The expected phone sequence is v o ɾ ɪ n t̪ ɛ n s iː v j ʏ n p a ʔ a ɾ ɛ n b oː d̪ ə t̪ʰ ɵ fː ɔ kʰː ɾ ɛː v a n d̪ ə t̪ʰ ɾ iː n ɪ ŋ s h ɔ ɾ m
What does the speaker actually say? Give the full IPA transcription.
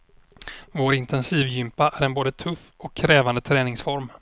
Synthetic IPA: v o ɾ ɪ n t̪ ɛ n s iː v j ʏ m p a ʔ æ ɾ ɛ n b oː d̪ ə t̪ʰ ɵ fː ɔ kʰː ɾ ɛː v a n d̪ ə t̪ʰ ɾ ɛː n ɪ ŋ s f ɔ ɾ m

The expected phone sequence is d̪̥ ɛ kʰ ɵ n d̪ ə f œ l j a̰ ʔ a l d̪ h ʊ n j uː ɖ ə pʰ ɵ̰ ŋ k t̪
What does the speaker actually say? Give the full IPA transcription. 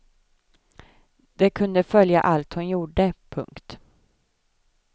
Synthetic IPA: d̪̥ ɛ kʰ ɵ n d̪ ə f œ l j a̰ ʔ a l t̪ h ʊ n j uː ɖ ə pʰ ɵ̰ ŋ k t̪

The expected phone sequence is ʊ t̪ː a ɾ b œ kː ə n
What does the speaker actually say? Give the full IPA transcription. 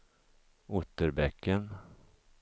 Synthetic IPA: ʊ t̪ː ə ɾ b ɛ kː ə n

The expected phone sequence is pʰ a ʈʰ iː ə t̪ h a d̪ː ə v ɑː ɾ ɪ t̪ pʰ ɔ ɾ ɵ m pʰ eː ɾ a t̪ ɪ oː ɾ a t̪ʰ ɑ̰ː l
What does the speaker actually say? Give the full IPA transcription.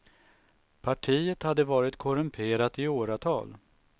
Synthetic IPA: pʰ a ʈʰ iː ə t̪ h a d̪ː ə v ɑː ɾ ɪ t̪ kʰ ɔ ɾ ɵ m pʰ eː ɾ a t̪ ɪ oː ɾ a t̪ʰ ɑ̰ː l

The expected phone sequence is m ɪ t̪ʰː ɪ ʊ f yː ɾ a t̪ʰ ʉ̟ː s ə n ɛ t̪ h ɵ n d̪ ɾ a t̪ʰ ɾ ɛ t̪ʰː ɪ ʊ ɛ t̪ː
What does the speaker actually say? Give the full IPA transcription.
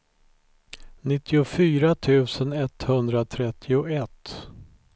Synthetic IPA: n ɪ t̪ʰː ɪ ʊ f yː ɾ a t̪ʰ ʉ̟ː s ə n ɛ t̪ h ɵ n d̪ ɾ a t̪ʰ ɾ ɛ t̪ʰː ɪ ʊ ɛ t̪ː

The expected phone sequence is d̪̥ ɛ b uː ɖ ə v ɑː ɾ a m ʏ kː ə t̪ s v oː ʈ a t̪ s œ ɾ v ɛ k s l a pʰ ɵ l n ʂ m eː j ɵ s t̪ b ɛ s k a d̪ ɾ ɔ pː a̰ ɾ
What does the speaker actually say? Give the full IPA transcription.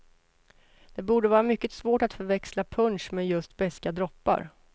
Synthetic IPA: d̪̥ ɛ b uː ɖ ə v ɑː ɾ a m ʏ kː ə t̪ s v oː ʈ a t̪ f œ ɾ v ɛ k s l a pʰ ɵ n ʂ m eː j ɵ s t̪ b ɛ s k a d̪ ɾ ɔ pː a̰ ɾ

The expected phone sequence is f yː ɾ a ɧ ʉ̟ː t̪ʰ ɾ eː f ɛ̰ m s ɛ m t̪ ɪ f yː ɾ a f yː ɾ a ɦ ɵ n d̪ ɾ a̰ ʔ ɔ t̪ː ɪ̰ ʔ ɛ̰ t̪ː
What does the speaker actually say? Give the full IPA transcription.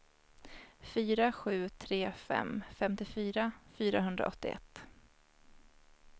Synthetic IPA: f yː ɾ a ɧ ʉ̟ː t̪ʰ ɾ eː f ɛ̰ m f ɛ m t̪ ɪ f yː ɾ a f yː ɾ a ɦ ɵ n d̪ ɾ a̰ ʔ ɔ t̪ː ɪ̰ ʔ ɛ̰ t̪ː

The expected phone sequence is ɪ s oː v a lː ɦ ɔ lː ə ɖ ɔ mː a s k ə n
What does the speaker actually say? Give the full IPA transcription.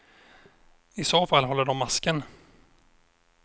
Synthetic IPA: ɪ s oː f a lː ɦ ɔ lː ə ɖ ɔ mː a s k ə n

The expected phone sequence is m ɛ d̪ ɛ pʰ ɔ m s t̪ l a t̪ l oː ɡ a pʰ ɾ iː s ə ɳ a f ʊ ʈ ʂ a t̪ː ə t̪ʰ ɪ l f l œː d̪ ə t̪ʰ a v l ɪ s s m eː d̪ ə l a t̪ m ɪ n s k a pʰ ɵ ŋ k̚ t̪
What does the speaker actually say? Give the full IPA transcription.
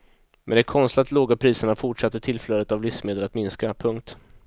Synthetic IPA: m ɛ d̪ ɛ kʰ ɔ n s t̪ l a t̪ l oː ɡ a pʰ ɾ iː s ə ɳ a f ʊ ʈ ʂ a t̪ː ə t̪ʰ ɪ l f l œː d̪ ə t̪ a v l ɪ f s m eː d̪ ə l a t̪ m ɪ n s k a pʰ ɵ ŋ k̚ t̪

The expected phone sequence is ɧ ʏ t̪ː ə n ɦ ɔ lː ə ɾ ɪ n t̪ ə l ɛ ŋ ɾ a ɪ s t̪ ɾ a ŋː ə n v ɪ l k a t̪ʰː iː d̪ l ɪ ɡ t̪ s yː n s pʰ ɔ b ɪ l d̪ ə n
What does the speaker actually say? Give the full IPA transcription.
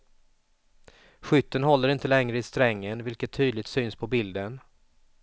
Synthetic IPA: ɧ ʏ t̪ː ə n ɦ ɔ lː ə ɾ ɪ n t̪ ə l ɛ ŋ ɾ ə ɪ s t̪ ɾ ɛ ŋː ə n v ɪ l k ə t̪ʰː yː d̪ l ɪ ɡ t̪ s yː n s pʰ ɔ b ɪ l d̪ ə n

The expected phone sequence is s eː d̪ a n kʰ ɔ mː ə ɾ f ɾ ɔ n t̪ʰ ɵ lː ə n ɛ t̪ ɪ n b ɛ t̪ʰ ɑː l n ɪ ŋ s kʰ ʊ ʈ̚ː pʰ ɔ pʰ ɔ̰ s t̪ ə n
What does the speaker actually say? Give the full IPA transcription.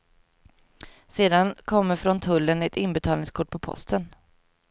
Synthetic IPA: s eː d̪ a n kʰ ɔ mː ə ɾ f ɾ ɔ n t̪ʰ ɵ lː ə n ɛ t̪ ɪ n b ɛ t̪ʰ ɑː l n ɪ ŋ s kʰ ʊ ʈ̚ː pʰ ɔ pʰ ɔ̰ s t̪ ə n

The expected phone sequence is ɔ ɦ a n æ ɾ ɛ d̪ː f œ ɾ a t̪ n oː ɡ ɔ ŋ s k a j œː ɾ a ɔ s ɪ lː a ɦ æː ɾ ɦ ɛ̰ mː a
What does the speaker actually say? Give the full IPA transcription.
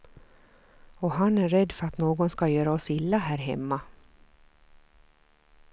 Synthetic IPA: ɔ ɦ a n æ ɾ ɛ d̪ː f œ ɾ a t̪ n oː ɡ ɔ n s k a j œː ɾ a ɔ s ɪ lː a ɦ æː ɾ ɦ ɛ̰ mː a

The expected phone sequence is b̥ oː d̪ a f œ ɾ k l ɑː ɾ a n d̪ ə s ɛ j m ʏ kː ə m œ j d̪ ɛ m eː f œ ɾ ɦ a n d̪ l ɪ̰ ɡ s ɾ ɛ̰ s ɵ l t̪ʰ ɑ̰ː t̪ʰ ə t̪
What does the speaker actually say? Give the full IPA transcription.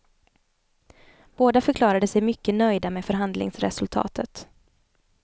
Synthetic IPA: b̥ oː d̪ a f œ ɾ k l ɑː ɾ a d̪ ə s ɛ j m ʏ kː ə n œ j d̪ a m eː f œ ɾ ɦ a n d̪ l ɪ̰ ŋ s ɾ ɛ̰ s ɵ l t̪ʰ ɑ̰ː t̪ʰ ə t̪

